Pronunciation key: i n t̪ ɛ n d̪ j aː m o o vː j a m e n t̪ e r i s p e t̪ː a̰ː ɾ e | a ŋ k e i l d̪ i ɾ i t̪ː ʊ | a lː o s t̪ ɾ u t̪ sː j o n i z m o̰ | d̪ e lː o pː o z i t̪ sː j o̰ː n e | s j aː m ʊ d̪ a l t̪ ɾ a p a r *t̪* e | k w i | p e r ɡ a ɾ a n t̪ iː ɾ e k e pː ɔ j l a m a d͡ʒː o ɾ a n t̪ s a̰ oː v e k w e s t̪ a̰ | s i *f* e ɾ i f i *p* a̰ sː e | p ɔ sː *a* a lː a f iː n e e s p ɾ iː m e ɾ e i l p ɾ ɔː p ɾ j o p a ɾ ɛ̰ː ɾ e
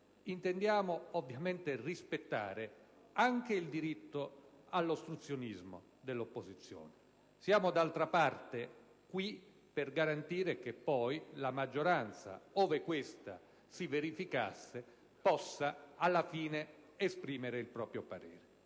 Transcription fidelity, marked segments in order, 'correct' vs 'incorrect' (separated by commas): correct, incorrect, incorrect, correct